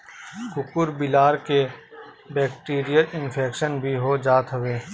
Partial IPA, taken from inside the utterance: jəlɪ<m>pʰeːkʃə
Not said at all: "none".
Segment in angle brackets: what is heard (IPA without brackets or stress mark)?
n